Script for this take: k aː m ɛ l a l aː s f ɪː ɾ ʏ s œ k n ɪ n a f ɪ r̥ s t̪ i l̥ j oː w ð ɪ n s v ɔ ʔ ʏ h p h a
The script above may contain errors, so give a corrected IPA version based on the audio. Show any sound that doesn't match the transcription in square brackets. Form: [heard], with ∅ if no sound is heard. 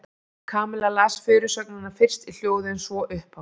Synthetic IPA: [kʰ] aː m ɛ l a l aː s f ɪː ɾ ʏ s œ k n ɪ n a f ɪ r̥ s t̪ i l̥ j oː w ð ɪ n s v ɔ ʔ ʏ h p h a